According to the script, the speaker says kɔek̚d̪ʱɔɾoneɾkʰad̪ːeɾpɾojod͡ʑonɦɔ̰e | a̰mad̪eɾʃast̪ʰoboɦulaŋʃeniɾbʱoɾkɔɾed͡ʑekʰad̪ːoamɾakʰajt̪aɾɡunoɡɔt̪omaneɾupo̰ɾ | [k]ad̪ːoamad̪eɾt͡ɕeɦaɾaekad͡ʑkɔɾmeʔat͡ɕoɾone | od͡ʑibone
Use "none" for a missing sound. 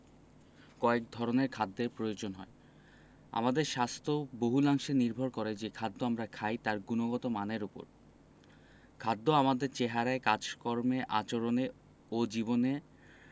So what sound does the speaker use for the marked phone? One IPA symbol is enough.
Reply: kʰ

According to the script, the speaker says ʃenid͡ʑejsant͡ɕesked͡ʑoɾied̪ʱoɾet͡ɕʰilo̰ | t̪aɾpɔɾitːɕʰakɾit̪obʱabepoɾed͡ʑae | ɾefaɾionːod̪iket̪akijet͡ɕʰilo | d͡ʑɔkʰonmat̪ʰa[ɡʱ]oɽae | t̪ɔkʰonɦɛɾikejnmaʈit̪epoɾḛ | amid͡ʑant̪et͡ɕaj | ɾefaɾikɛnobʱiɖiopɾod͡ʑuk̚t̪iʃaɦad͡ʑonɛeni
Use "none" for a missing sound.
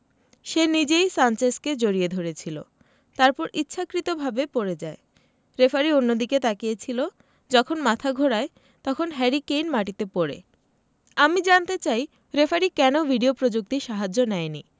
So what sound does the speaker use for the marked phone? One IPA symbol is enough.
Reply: ɡʱ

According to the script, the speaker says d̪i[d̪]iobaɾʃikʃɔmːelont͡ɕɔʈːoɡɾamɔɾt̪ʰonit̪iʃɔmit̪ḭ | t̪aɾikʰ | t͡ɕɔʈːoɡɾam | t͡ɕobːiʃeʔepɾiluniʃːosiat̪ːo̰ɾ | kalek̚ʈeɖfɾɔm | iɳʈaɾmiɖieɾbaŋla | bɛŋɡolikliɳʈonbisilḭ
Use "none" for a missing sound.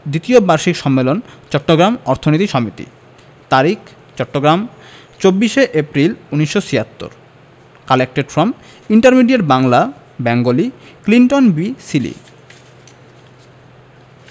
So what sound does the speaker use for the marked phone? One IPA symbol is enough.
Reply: t̪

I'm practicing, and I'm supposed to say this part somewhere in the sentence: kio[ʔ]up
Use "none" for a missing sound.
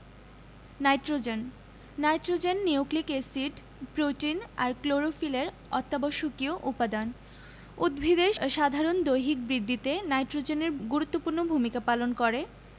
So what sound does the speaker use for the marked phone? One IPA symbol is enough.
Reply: ʔ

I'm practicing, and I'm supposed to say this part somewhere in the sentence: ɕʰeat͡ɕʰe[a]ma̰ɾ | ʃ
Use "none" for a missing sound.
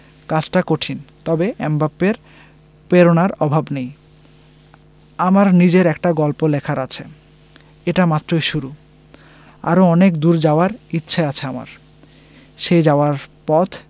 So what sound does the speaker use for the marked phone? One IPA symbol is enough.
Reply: a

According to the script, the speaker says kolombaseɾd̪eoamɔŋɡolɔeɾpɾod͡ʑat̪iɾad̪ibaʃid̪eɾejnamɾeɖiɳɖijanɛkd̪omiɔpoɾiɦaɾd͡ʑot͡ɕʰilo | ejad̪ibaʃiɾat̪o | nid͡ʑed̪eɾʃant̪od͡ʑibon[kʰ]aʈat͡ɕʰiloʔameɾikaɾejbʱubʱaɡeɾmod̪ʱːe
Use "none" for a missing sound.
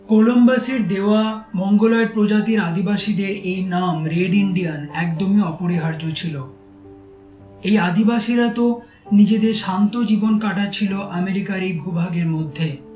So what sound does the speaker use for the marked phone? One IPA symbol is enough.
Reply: k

